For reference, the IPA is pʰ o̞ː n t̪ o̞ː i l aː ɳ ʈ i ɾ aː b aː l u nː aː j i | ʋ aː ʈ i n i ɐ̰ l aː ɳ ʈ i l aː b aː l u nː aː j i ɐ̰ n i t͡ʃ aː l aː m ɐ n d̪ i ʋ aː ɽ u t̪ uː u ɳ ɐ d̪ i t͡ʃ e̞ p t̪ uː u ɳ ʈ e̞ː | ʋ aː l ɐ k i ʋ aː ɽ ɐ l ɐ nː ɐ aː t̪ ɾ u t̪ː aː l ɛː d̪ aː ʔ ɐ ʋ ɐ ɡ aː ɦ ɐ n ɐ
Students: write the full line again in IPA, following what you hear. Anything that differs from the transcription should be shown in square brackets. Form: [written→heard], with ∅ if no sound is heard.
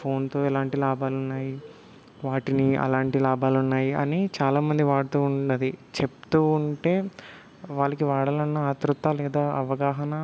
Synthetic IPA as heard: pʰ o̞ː n t̪ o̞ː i l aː ɳ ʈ i [ɾ→l] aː b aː l u nː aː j i | ʋ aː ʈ i n i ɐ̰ l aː ɳ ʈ i l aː b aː l u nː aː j i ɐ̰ n i t͡ʃ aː l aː m ɐ n d̪ i ʋ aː ɽ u t̪ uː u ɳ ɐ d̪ i t͡ʃ e̞ p t̪ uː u ɳ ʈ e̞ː | ʋ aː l ɐ k i ʋ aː ɽ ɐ l ɐ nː ɐ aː t̪ ɾ u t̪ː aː l ɛː d̪ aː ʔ ɐ ʋ ɐ ɡ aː ɦ ɐ n ɐ